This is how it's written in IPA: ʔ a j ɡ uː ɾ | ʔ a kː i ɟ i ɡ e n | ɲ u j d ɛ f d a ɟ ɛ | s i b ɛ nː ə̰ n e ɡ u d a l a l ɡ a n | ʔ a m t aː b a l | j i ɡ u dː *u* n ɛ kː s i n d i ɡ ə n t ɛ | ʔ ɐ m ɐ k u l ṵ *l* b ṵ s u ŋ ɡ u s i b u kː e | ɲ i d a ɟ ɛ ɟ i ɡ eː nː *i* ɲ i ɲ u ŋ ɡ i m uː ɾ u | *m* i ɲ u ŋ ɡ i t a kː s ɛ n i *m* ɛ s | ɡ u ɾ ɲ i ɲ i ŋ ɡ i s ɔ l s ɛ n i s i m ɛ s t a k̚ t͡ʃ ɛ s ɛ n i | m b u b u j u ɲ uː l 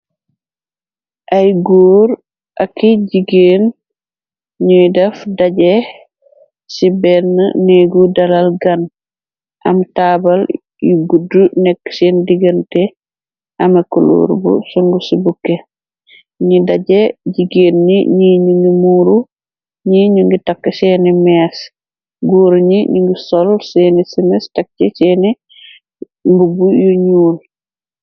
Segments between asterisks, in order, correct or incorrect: correct, incorrect: ɾ, correct, incorrect: ɲ, correct

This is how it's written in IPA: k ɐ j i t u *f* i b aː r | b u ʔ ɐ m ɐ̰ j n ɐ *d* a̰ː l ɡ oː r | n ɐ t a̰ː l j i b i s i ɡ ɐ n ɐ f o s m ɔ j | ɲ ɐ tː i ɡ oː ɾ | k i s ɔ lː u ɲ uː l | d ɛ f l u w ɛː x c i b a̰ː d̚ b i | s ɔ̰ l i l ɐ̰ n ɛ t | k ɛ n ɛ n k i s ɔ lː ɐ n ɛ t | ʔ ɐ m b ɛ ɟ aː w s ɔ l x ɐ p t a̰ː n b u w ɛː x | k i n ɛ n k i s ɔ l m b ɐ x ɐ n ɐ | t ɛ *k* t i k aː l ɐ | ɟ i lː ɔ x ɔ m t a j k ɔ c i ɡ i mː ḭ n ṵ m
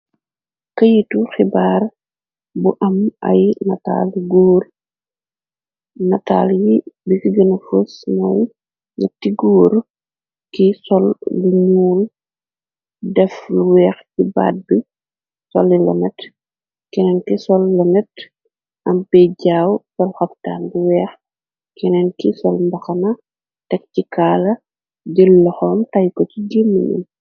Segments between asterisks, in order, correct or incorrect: incorrect: x, incorrect: t, correct

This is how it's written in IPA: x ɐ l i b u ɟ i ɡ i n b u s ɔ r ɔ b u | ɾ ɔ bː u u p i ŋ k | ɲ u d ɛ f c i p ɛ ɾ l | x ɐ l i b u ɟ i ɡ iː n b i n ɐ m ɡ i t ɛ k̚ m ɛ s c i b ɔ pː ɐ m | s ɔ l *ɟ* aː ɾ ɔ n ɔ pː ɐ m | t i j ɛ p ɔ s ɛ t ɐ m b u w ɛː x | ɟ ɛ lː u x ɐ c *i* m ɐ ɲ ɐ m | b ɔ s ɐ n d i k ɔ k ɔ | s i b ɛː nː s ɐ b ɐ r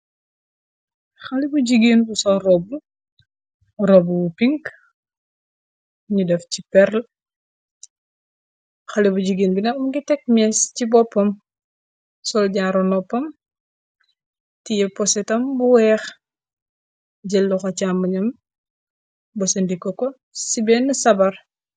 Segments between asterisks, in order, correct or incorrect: correct, incorrect: a

